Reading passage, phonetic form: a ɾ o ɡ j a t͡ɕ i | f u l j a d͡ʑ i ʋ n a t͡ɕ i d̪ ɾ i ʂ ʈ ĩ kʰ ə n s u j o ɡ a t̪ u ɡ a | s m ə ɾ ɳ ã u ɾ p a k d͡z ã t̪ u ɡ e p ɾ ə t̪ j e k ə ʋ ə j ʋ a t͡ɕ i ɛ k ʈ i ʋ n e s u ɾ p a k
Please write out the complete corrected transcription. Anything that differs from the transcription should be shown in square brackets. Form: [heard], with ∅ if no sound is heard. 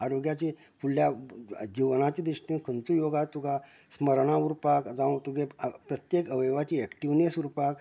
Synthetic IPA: a ɾ o ɡ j a t͡ɕ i | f u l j a d͡ʑ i ʋ n a t͡ɕ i d̪ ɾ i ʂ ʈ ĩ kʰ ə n [t͡s] u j o ɡ a t̪ u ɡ a | s m ə ɾ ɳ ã u ɾ p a k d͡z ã t̪ u ɡ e p ɾ ə t̪ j e k ə ʋ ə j ʋ a t͡ɕ i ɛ k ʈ i ʋ n e s u ɾ p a k